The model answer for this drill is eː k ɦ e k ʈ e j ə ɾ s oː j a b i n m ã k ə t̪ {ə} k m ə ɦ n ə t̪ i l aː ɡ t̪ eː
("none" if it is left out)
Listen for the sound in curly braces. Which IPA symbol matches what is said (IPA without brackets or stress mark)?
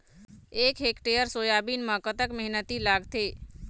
ə